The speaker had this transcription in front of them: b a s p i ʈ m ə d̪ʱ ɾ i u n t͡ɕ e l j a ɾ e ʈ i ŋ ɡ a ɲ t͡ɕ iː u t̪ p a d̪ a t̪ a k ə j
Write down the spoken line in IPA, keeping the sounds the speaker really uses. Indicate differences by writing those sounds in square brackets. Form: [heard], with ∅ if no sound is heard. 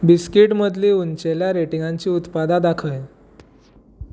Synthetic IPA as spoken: b [i] s [k] i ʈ m ə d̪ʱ [l] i u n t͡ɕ e l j a ɾ e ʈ i ŋ ɡ a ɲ t͡ɕ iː u t̪ p a d̪ a [d̪] a [kʰ] ə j